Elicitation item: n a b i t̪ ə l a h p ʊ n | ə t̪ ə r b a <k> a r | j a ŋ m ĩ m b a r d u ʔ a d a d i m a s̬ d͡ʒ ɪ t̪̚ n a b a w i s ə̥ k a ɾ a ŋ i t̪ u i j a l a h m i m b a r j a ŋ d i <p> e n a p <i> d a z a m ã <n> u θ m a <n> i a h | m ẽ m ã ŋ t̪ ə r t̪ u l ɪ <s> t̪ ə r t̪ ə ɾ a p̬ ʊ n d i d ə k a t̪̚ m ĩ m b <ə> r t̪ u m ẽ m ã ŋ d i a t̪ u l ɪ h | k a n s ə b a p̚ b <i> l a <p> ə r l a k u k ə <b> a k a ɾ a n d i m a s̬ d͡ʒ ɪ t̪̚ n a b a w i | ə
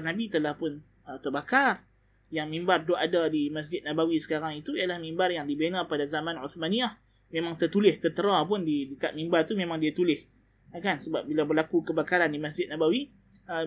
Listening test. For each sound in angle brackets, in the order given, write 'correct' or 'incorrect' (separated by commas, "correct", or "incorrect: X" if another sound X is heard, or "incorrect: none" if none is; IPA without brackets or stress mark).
correct, incorrect: b, incorrect: a, correct, correct, incorrect: h, incorrect: a, correct, incorrect: b, correct